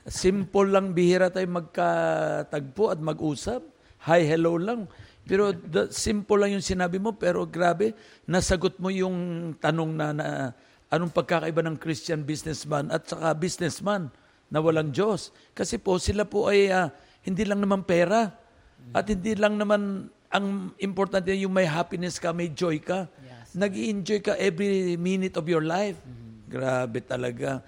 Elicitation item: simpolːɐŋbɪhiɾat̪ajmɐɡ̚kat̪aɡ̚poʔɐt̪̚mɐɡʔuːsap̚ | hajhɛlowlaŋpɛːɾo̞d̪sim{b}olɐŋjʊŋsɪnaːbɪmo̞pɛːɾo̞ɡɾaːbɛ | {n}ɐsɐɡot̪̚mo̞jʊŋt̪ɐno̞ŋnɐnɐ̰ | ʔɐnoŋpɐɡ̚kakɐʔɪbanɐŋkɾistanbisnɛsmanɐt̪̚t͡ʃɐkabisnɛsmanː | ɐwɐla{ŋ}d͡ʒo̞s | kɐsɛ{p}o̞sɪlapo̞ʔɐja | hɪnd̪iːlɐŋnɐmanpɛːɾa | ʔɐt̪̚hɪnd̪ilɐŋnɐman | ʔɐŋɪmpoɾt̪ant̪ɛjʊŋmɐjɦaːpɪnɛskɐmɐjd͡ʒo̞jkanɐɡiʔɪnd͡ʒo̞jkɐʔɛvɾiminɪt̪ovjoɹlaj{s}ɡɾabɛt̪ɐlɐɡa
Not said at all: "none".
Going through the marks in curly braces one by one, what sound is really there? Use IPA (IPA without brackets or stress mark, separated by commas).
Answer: p, n, ŋ, p, f